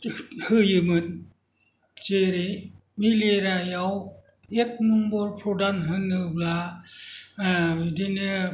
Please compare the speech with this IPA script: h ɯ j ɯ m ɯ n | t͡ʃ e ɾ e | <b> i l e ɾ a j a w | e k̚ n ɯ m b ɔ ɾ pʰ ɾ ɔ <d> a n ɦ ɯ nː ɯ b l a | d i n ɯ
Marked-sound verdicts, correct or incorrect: incorrect: m, correct

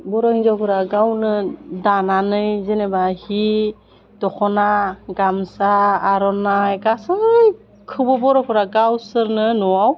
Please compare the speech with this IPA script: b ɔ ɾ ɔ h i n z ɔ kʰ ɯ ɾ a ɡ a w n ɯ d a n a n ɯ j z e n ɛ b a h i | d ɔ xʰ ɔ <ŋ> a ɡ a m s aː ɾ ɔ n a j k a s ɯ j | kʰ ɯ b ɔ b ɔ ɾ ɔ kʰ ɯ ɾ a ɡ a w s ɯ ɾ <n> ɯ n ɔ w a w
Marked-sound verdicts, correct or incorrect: incorrect: n, correct

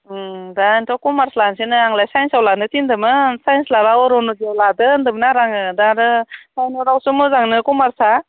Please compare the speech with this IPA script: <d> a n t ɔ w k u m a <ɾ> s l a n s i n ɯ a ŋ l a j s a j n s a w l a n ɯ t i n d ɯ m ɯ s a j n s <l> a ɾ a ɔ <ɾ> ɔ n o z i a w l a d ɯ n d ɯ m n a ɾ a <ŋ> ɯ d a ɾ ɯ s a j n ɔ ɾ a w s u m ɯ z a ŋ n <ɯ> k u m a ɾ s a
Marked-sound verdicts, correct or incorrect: correct, correct, correct, correct, correct, correct

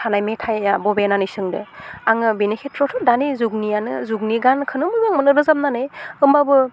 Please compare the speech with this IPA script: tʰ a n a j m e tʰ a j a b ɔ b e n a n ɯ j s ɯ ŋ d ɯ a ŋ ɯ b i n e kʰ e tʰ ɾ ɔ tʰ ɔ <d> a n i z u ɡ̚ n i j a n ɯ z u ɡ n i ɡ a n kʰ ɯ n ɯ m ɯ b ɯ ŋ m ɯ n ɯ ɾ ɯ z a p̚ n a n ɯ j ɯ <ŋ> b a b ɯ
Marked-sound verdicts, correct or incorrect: correct, incorrect: m

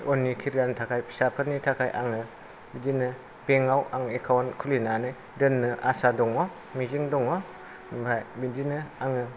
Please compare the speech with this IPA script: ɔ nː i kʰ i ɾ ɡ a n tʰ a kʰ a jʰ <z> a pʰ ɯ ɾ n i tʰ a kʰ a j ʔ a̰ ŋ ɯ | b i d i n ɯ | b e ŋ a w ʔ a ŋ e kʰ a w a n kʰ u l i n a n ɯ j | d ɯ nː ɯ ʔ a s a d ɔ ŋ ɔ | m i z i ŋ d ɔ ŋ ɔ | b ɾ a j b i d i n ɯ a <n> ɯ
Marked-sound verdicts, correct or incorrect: incorrect: s, incorrect: ŋ

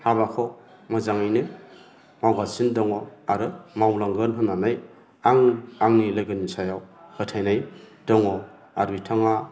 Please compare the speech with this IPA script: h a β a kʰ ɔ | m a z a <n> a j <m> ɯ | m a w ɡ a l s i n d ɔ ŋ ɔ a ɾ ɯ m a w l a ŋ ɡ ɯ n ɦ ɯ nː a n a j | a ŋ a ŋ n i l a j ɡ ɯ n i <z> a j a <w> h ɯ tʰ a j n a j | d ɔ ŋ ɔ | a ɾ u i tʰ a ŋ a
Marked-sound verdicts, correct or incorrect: incorrect: ŋ, incorrect: n, incorrect: s, correct

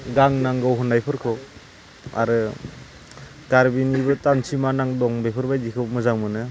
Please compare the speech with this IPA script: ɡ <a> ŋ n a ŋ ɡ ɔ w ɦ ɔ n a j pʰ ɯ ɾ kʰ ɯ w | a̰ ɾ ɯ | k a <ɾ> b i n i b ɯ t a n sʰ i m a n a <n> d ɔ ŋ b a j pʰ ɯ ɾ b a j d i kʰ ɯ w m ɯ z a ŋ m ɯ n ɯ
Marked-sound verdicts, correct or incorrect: correct, correct, incorrect: ŋ

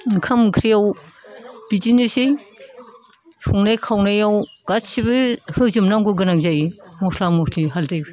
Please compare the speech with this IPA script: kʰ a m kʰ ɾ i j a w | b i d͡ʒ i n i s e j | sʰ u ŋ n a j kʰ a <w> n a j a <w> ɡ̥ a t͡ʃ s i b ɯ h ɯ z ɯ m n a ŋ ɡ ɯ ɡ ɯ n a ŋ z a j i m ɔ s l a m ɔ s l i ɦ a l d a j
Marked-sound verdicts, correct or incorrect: correct, correct

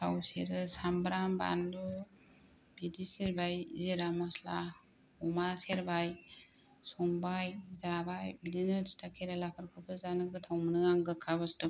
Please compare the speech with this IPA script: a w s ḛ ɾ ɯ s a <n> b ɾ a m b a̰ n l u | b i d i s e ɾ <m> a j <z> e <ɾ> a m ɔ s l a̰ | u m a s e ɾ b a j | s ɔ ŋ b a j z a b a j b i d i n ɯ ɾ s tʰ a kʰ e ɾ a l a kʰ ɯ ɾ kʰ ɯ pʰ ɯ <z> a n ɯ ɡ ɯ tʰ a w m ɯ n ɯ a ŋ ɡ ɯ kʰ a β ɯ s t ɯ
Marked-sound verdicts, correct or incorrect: incorrect: m, incorrect: b, correct, correct, correct

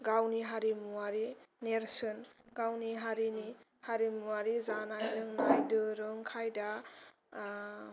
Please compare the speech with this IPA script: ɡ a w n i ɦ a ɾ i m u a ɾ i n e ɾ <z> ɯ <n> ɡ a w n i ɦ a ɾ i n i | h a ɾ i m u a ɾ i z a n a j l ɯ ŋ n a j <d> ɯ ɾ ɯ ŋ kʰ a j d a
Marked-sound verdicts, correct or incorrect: incorrect: s, correct, correct

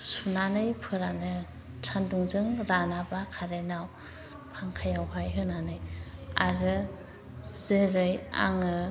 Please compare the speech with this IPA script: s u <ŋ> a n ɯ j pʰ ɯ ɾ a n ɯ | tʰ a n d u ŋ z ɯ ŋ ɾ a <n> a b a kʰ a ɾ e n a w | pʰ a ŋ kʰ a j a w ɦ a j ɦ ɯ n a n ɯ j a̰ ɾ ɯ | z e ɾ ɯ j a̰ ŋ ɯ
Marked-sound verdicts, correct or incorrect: incorrect: n, correct

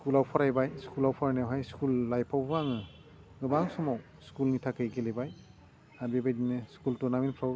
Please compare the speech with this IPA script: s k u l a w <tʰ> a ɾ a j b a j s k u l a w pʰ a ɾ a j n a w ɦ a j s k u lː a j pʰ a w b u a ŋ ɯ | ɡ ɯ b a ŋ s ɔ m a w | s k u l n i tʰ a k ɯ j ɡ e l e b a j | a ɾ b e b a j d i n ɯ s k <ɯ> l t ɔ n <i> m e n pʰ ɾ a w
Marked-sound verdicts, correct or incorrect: incorrect: pʰ, incorrect: u, incorrect: a

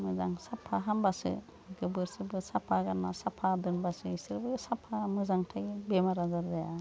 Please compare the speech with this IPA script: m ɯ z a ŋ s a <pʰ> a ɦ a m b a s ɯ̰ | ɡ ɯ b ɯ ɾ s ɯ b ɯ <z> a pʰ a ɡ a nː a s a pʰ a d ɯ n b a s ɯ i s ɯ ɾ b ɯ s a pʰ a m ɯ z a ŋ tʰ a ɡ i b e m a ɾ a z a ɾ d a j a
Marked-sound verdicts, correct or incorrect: correct, incorrect: s

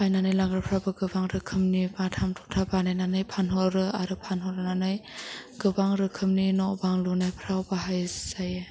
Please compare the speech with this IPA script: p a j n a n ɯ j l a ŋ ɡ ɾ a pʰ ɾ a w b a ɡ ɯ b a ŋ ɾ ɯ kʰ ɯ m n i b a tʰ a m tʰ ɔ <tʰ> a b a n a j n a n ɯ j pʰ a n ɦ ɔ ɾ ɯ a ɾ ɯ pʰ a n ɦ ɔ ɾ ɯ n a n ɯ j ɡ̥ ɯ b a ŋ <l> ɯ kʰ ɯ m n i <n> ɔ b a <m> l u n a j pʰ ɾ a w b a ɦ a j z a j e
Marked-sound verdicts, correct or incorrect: correct, incorrect: ɾ, correct, incorrect: ŋ

